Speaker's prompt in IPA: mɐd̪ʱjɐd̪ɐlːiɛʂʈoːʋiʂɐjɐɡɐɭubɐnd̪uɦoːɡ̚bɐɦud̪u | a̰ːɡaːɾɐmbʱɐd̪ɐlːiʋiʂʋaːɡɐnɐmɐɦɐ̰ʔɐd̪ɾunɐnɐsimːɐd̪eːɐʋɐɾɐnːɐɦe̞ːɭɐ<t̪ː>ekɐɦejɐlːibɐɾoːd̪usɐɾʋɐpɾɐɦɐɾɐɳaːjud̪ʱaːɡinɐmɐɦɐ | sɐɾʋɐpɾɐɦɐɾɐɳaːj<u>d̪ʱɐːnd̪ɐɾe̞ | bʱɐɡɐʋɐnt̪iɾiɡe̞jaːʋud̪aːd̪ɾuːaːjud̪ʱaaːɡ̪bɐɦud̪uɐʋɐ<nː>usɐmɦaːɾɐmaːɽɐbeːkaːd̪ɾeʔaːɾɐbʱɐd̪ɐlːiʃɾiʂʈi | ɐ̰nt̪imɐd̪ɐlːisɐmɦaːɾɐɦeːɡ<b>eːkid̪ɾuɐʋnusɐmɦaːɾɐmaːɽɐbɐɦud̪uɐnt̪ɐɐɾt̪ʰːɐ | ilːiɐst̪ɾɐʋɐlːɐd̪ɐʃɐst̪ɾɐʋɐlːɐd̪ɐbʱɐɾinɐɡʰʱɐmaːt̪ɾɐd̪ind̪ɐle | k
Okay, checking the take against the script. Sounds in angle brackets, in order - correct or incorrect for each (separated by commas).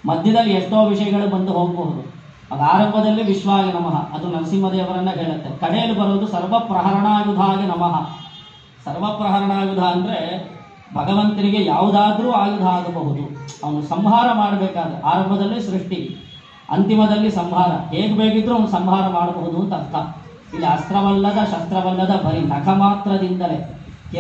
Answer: correct, correct, incorrect, correct